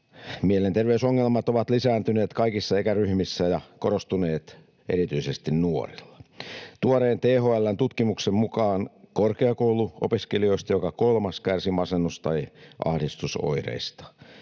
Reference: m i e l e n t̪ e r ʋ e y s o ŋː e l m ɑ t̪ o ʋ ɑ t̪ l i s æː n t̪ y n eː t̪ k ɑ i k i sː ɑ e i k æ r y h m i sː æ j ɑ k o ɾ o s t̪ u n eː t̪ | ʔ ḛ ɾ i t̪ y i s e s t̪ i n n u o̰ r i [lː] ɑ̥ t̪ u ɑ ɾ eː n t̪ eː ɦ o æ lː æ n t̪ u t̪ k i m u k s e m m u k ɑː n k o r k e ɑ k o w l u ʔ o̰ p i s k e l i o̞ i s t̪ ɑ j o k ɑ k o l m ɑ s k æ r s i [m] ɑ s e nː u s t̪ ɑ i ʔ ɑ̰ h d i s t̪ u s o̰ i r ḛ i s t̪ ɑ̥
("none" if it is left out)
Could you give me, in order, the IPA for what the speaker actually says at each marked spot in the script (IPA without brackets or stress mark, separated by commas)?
lː, m